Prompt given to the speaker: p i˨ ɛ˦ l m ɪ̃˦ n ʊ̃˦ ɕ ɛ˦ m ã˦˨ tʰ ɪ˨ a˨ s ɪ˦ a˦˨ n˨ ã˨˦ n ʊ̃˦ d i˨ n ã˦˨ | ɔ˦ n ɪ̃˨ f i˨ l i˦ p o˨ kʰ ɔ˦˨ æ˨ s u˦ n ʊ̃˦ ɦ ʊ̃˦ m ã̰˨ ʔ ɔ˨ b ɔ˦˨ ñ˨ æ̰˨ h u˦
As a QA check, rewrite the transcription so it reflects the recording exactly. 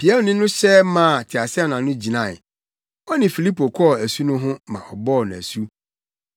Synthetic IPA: p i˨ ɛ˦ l n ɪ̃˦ n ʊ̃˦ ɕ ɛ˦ m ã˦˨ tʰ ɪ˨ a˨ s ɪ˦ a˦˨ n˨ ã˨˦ n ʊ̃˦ d͡ʑ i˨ n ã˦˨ | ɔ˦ n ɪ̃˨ f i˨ l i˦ p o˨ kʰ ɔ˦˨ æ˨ s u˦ n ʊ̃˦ ɦ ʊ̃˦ m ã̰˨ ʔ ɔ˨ b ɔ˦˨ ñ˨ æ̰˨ s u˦